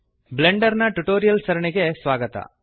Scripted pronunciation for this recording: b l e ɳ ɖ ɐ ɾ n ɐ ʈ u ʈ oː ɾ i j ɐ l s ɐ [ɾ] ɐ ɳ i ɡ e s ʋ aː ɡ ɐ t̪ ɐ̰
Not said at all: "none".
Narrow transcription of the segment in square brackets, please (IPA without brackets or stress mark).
ɾ